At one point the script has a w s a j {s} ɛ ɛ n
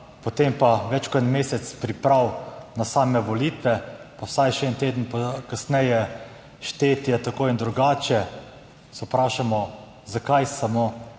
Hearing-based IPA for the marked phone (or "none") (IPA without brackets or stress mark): ʃ